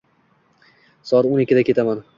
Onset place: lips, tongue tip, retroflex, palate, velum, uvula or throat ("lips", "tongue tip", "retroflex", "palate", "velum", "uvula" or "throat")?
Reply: tongue tip